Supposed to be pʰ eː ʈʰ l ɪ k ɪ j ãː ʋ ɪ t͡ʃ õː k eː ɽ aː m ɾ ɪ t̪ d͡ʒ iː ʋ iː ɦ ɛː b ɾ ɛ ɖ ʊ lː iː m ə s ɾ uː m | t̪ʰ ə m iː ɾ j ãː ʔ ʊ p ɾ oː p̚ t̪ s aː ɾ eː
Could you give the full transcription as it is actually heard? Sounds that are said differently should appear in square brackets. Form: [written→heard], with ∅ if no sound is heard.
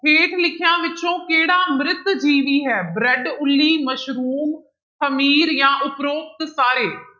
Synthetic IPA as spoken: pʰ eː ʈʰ l ɪ [k→kʰ] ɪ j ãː ʋ ɪ t͡ʃ õː k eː ɽ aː m ɾ ɪ t̪ d͡ʒ iː ʋ iː ɦ ɛː b ɾ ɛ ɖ ʊ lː iː m ə [s→ʃ] ɾ uː m | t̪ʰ ə m iː ɾ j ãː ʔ ʊ p ɾ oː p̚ t̪ s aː ɾ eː